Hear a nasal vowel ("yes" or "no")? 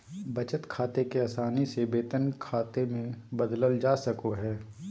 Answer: yes